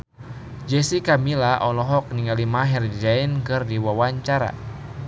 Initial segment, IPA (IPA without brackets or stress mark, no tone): d͡ʒ